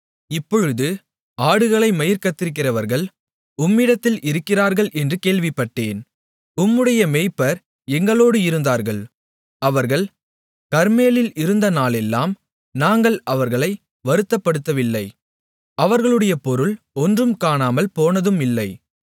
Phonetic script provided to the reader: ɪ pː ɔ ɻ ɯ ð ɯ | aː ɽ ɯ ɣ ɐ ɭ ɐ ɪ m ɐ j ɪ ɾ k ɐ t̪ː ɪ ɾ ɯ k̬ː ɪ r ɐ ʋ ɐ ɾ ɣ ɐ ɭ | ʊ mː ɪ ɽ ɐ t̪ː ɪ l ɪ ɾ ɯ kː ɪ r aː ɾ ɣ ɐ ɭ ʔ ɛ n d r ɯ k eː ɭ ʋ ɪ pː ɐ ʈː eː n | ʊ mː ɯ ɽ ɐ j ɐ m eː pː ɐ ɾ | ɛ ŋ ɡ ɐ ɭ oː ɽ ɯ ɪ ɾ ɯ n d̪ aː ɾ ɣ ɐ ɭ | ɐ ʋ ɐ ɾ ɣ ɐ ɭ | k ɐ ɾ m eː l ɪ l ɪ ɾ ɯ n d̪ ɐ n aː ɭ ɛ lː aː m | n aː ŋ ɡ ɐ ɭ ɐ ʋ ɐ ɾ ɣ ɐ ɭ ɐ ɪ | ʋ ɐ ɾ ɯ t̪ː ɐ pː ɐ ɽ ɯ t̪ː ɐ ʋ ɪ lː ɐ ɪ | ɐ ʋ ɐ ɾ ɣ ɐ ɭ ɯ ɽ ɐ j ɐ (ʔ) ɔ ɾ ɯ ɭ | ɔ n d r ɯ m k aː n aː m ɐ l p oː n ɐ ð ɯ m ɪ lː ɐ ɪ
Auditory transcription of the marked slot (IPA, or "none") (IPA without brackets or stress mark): p